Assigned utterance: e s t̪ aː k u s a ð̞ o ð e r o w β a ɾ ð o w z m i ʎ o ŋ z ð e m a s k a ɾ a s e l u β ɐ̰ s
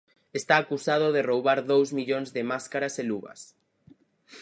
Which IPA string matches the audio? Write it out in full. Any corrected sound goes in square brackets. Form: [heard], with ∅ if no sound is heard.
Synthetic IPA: e s t̪ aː k u s a ð̞ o ð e r o w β a ɾ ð o w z m i ʎ o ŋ z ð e m a s k a ɾ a s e l u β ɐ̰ s